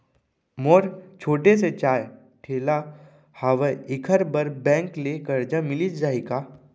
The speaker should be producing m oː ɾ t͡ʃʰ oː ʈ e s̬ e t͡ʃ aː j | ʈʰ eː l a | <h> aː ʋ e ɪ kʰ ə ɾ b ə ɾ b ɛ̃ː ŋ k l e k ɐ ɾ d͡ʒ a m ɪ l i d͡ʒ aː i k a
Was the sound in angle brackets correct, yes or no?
yes